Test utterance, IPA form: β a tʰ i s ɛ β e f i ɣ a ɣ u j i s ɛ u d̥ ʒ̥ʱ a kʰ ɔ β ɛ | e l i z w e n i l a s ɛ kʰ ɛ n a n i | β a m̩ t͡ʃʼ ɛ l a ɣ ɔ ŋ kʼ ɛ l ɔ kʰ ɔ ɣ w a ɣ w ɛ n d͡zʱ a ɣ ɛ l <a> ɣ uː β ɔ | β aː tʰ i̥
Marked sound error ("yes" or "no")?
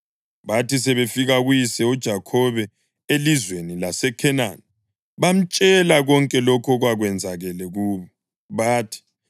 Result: yes